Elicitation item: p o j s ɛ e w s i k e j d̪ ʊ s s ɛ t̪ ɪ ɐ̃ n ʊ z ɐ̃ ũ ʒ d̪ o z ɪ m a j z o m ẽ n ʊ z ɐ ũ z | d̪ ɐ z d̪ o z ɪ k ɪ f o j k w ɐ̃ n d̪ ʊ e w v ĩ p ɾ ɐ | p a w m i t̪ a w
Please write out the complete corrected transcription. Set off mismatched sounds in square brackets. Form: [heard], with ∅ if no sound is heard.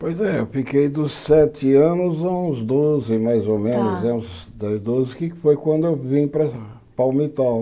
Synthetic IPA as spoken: p o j [z] ɛ e w [f] i k e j d̪ ʊ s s ɛ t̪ ɪ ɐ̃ n ʊ z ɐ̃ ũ [z] d̪ o z ɪ m a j z o m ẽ n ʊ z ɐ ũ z | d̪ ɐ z d̪ o z ɪ k ɪ f o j k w ɐ̃ n d̪ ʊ e w v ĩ p ɾ ɐ | p a w m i t̪ a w